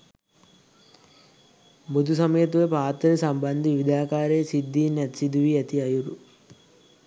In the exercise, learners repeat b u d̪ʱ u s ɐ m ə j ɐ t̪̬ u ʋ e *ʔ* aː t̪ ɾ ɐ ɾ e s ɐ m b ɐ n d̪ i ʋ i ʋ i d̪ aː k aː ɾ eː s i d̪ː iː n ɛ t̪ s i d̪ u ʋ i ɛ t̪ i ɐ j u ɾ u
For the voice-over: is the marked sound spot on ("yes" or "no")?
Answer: no